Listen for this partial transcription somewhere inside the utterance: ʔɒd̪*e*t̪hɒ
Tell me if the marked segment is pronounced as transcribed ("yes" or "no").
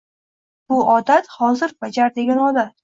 no